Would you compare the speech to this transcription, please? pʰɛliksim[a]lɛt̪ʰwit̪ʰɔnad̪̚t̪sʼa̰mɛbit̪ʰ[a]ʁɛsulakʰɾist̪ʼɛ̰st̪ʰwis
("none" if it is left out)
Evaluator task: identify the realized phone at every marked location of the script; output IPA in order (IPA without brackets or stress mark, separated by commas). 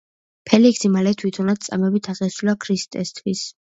a, a